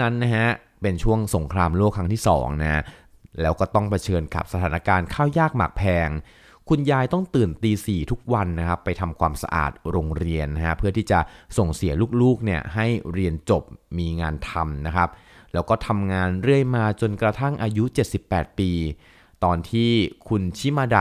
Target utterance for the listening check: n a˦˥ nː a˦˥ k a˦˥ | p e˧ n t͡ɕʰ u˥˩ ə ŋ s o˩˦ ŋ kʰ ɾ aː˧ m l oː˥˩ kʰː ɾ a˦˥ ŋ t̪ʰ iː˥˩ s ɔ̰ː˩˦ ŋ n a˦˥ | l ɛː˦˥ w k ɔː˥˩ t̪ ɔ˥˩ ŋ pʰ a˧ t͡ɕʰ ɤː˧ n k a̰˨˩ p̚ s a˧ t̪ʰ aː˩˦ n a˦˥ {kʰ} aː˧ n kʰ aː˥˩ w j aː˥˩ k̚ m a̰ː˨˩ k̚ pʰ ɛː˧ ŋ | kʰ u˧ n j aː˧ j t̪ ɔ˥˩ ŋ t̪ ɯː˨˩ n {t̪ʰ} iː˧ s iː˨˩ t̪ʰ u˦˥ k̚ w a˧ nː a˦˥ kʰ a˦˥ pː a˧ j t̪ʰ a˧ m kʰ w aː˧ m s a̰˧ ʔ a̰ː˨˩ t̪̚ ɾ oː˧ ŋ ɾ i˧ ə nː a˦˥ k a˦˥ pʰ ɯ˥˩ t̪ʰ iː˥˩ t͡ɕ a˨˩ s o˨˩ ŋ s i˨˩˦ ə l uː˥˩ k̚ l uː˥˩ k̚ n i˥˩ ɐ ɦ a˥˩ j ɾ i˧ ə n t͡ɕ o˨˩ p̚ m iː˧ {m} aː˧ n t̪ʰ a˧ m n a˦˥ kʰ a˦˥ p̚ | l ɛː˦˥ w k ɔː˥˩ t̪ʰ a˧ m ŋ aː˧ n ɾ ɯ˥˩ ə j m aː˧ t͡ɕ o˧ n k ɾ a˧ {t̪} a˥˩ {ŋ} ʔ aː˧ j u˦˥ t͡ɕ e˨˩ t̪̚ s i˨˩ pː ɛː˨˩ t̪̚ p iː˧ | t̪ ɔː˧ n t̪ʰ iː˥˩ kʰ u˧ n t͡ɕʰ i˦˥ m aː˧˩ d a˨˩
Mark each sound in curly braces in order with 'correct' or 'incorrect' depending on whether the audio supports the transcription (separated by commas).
incorrect, incorrect, incorrect, incorrect, correct